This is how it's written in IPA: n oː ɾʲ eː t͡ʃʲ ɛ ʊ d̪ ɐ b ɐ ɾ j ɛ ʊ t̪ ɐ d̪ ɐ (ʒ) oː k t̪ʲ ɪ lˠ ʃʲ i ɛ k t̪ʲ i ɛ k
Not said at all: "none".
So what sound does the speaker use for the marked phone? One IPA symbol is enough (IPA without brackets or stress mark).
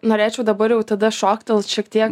ʃ